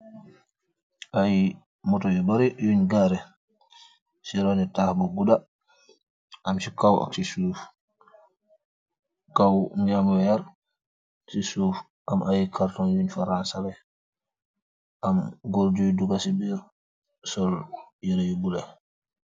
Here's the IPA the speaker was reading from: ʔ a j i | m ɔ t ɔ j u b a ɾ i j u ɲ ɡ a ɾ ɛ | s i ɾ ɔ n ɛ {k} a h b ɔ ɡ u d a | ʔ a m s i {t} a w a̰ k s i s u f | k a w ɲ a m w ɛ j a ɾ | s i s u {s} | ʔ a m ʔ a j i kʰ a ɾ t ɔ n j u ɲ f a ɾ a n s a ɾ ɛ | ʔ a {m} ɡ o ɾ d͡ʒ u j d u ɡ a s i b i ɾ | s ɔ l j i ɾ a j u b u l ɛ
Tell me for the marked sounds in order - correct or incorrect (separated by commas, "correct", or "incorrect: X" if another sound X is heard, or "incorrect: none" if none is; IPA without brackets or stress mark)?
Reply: incorrect: t, incorrect: k, incorrect: f, correct